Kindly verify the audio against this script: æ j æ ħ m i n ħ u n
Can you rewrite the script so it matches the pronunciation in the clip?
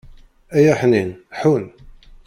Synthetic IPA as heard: æ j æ ħ n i n ħ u n